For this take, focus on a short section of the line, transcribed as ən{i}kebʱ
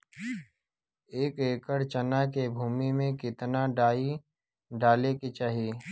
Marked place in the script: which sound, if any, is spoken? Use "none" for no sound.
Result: a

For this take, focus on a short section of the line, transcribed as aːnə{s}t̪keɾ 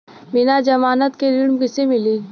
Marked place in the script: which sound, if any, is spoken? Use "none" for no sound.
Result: none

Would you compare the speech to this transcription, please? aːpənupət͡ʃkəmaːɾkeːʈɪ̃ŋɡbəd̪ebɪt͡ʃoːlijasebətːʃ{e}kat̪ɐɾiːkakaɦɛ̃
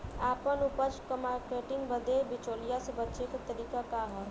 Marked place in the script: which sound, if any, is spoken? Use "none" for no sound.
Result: e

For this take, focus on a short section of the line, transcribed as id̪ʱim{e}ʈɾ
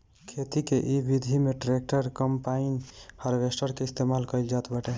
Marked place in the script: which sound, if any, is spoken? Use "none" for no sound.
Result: e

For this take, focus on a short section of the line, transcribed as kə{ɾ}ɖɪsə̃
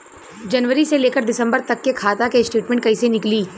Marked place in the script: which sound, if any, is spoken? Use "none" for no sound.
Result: ɾ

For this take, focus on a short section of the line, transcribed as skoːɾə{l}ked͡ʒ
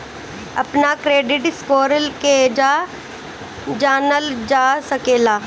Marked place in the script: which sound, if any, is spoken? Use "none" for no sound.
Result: l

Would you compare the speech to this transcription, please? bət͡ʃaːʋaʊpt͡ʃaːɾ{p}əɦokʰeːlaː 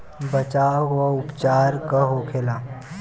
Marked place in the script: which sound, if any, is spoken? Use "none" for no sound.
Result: k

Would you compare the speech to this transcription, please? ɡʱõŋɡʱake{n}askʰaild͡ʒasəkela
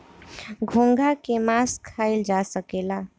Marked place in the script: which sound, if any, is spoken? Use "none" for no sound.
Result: m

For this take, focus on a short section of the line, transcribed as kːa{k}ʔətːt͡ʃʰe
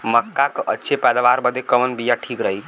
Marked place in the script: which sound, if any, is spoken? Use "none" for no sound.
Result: k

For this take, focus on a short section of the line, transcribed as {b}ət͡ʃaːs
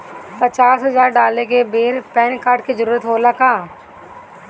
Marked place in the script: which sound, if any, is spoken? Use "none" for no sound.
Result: p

